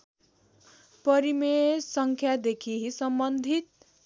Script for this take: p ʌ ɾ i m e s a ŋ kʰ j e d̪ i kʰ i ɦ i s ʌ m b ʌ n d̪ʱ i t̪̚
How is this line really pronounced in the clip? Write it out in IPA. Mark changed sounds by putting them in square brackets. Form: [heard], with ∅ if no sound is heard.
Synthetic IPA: p ʌ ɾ i m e s [ʌ] ŋ kʰ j [a] d̪ [e] kʰ i ɦ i s ʌ m b ʌ n d̪ʱ i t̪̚